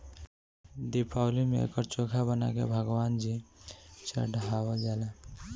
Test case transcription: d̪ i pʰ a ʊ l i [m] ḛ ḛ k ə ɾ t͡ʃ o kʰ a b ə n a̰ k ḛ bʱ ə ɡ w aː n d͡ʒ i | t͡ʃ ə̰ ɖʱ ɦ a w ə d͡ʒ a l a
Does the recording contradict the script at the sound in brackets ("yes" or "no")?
no